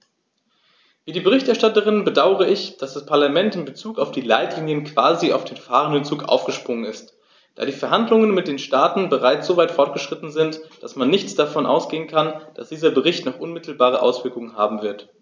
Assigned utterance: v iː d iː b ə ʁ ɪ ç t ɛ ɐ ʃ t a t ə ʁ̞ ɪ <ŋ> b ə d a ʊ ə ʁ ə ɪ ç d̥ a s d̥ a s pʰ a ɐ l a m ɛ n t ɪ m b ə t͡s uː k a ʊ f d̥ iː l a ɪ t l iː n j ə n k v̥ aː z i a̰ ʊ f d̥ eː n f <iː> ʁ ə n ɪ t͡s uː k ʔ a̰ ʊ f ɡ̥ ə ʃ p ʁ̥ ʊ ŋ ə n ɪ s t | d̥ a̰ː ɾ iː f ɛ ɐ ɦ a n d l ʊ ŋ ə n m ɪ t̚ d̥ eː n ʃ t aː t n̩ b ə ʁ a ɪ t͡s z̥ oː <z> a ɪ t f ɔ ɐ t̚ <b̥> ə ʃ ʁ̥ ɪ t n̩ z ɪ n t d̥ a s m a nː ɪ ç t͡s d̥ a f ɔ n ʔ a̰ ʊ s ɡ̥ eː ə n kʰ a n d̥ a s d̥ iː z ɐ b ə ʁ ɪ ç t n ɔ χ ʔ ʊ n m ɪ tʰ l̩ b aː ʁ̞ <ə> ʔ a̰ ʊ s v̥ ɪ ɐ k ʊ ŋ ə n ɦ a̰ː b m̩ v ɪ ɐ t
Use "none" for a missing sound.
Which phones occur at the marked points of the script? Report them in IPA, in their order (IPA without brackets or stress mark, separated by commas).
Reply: n, aː, v, ɡ̥, ə